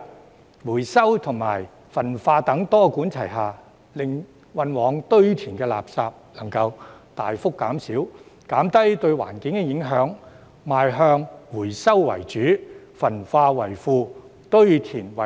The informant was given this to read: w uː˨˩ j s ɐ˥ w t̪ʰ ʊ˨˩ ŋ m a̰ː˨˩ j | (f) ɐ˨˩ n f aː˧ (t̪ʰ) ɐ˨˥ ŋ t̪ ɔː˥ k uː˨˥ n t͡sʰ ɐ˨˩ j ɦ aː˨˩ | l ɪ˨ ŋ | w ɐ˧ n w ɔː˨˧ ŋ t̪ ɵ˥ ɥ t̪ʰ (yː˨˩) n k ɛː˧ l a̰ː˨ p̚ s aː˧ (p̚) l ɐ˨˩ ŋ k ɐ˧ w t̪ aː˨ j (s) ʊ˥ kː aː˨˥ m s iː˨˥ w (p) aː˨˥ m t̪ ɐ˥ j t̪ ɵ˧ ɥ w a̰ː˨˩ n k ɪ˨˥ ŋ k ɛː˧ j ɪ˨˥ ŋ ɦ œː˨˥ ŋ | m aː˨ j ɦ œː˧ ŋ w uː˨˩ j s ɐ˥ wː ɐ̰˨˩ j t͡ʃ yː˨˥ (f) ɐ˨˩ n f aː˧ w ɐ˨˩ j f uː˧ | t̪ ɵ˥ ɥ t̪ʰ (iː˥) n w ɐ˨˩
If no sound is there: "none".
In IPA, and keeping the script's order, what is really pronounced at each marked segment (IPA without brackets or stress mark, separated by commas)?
f, t̪, iː˨˩, p̚, f, k, f, iː˨˩